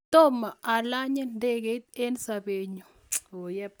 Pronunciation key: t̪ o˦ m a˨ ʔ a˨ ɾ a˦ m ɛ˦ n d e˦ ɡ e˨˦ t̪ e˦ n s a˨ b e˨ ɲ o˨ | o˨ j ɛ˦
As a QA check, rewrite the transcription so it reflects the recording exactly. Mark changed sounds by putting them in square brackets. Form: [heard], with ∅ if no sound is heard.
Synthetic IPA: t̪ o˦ m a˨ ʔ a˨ [l] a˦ [ɲ] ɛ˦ n d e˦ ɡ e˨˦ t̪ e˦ n s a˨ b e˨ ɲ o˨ | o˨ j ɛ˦